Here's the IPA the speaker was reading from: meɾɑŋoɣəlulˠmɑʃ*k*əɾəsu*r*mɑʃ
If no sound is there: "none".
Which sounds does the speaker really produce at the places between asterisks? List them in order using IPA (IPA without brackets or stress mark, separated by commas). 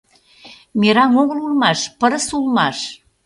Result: p, l